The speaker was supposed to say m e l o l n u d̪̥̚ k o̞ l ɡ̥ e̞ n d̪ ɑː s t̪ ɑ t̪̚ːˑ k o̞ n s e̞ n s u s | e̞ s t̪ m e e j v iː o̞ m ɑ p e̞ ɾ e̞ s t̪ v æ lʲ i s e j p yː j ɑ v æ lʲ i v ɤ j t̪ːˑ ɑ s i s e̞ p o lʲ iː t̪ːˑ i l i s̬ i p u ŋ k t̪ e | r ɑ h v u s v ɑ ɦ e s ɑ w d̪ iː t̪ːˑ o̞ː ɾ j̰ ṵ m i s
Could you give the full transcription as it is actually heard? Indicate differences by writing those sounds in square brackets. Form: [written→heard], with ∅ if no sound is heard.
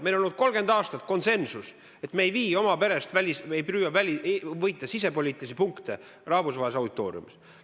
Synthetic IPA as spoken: m e l o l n u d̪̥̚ k o̞ l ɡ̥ e̞ n d̪ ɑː s t̪ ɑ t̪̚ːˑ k o̞ n s e̞ n s u s | e̞ [s→∅] t̪ m e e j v iː o̞ m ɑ p e̞ ɾ e̞ s t̪ v æ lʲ i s e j p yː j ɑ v æ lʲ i v ɤ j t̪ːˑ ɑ s i s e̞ p o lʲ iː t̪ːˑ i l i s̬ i p u ŋ k t̪ e | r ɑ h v u s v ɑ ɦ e s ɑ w d̪ [iː→i] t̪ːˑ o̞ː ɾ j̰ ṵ m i s